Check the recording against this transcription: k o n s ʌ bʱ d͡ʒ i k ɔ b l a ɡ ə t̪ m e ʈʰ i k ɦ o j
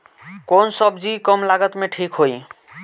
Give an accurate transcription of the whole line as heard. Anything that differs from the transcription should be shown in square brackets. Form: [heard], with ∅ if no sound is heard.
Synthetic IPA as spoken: k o n s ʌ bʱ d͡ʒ i k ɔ [m] l a ɡ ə t̪ m e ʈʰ i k ɦ o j